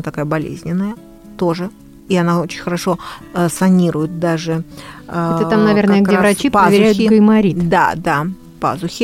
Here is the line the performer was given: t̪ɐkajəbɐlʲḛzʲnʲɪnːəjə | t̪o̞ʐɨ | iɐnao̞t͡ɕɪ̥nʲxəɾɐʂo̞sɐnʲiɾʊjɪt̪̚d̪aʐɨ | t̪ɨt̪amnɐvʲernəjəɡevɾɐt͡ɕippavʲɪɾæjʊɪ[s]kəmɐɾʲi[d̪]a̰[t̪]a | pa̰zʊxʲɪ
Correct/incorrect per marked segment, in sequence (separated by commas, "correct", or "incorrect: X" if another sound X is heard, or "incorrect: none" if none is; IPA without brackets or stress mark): incorrect: none, correct, incorrect: d̪